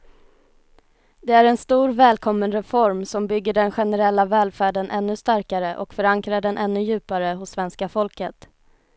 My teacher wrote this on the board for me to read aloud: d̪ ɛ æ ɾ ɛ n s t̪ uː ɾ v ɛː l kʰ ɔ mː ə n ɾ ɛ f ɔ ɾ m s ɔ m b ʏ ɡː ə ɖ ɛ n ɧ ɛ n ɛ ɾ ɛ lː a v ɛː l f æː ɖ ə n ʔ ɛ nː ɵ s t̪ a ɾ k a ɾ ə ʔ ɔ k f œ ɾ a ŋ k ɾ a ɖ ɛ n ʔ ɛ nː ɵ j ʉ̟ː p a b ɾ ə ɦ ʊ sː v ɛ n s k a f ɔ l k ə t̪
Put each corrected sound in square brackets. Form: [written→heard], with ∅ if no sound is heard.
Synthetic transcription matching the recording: d̪ ɛ æ ɾ ɛ n s t̪ uː ɾ v ɛː l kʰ ɔ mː ə n ɾ ɛ f ɔ ɾ m s ɔ m b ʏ ɡː ə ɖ ɛ n ɧ ɛ n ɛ ɾ ɛ lː a v ɛː l f æː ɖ ə n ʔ ɛ nː ɵ s t̪ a ɾ k a ɾ ə ʔ ɔ k f œ ɾ a ŋ k ɾ a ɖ ɛ n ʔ ɛ nː ɵ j ʉ̟ː p a [b→∅] ɾ ə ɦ ʊ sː v ɛ n s k a f ɔ l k ə t̪

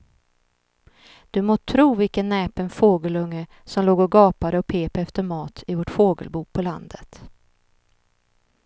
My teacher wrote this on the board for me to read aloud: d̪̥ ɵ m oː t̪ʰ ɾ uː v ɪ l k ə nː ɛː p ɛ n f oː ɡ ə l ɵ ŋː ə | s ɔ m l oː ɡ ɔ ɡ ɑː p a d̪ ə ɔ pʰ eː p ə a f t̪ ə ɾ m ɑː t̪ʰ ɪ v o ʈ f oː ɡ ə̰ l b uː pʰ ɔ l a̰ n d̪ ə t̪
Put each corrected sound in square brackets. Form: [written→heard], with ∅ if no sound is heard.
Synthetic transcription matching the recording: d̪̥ ɵ m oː t̪ʰ ɾ uː v ɪ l k ə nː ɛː p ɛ n f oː ɡ ə l ɵ ŋː ə | s ɔ m l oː ɡ ɔ ɡ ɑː p a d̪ ə ɔ pʰ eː p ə [a→ɛ] f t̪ ə ɾ m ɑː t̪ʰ ɪ v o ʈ f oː ɡ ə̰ l b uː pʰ ɔ l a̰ n d̪ ə t̪

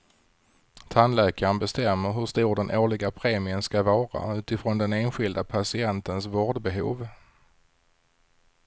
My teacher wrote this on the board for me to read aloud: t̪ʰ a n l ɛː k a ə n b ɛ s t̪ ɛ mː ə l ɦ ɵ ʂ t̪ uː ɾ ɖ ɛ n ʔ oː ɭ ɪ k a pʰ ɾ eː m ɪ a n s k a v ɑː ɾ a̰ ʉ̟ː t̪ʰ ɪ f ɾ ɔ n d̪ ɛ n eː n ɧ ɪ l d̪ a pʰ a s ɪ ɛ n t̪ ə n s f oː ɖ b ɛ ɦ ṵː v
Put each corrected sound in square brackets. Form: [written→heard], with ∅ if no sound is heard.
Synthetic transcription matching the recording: t̪ʰ a n l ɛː k a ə n b ɛ s t̪ ɛ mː ə [l→ɾ] ɦ ɵ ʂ t̪ uː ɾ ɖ ɛ n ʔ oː ɭ ɪ [k→ɡ] a pʰ ɾ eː m ɪ [a→ə] n s k a v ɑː ɾ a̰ ʉ̟ː [t̪ʰ→t̪] ɪ f ɾ ɔ n d̪ ɛ n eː n ɧ ɪ l d̪ a pʰ a s ɪ ɛ n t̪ ə n s [f→v] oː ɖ b ɛ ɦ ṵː v

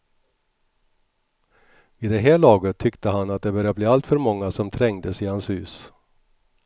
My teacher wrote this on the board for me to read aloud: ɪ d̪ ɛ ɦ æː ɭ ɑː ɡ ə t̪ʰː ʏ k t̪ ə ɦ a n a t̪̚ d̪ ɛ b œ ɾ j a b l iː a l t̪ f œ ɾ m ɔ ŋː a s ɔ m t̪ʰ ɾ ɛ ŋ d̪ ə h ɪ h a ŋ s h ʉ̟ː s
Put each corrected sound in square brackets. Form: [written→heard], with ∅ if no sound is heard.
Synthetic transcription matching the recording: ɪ d̪ ɛ ɦ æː ɭ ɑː ɡ ə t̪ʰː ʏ k t̪ ə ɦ a n a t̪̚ d̪ ɛ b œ ɾ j a b l iː a l t̪ f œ ɾ m ɔ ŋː a s ɔ m t̪ʰ ɾ ɛ ŋ d̪ ə [h→s] ɪ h a [ŋ→n] s h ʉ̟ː s

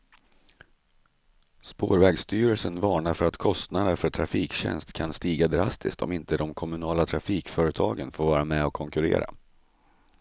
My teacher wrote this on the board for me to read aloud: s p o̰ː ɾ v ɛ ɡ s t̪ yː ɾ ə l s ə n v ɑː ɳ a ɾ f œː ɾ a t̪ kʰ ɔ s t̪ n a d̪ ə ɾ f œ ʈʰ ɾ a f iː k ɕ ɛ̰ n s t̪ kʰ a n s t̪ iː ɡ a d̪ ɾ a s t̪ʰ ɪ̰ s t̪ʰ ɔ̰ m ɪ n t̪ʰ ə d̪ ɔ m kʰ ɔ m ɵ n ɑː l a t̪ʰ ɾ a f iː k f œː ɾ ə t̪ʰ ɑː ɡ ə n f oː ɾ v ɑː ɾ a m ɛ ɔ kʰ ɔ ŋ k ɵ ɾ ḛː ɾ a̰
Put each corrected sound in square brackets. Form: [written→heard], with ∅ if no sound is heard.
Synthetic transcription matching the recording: s p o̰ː ɾ v ɛ ɡ s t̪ yː ɾ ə l s ə n v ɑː ɳ a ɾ f [œː→œ] ɾ a t̪ kʰ ɔ s t̪ n a d̪ ə ɾ f œ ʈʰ ɾ a f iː k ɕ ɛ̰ n s t̪ kʰ a n s t̪ iː ɡ a d̪ ɾ a s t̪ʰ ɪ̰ s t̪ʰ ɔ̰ m ɪ n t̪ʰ ə d̪ ɔ m kʰ ɔ m ɵ n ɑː l a t̪ʰ ɾ a f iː k f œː ɾ ə t̪ʰ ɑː ɡ ə n f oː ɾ v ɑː ɾ a m ɛ ɔ kʰ ɔ ŋ k ɵ ɾ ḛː ɾ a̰

